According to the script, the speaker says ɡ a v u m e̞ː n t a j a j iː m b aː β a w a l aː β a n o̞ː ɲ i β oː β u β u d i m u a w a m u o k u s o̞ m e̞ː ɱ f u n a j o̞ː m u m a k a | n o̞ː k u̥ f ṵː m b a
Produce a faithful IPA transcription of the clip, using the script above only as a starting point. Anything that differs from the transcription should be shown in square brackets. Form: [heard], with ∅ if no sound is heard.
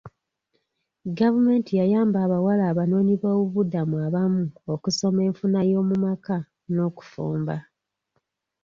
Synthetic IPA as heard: ɡ a v u m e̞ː n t [i] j a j [aː] m b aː β a w a l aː β a n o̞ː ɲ i β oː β u β u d [a] m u a [β] a m u o k u s o̞ m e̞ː ɱ f u n a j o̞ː m u m a k a | n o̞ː k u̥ f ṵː m b a